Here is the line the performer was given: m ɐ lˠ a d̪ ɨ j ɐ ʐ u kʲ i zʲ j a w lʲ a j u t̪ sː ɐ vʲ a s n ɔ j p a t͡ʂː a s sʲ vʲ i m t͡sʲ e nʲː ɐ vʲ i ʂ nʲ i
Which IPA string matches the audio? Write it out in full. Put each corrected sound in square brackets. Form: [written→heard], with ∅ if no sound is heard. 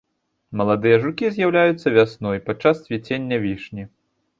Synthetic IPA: m ɐ lˠ a d̪ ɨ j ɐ ʐ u kʲ i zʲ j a w lʲ a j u t̪ sː ɐ vʲ a s n ɔ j p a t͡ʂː a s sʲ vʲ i [m→∅] t͡sʲ e nʲː ɐ vʲ i ʂ nʲ i